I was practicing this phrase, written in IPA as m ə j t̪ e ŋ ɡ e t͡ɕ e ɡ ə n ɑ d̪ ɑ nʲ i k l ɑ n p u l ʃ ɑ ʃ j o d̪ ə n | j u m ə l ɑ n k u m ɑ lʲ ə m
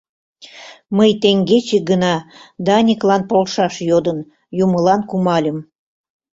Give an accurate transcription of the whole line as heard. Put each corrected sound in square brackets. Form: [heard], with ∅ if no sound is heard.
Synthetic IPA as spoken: m ə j t̪ e ŋ ɡ e t͡ɕ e ɡ ə n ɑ d̪ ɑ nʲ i k l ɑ n p [o] l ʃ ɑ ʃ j o d̪ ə n | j u m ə l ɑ n k u m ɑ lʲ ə m